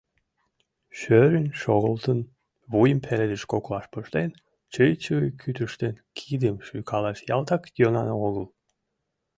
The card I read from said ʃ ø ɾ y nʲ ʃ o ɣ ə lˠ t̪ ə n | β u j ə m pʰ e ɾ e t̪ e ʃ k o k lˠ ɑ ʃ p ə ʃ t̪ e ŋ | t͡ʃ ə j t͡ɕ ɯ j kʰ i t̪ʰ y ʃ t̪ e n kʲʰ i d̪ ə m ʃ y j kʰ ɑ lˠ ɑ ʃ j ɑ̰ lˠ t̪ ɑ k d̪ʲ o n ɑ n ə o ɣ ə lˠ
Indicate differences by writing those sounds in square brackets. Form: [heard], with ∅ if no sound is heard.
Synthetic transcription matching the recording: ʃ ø ɾ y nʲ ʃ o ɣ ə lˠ t̪ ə n | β u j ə m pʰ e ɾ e [d̪] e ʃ k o k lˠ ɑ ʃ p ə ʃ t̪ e [n] | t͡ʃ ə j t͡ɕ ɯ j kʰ [y] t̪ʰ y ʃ t̪ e n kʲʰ i d̪ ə m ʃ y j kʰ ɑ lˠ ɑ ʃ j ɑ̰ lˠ t̪ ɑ k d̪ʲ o n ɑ n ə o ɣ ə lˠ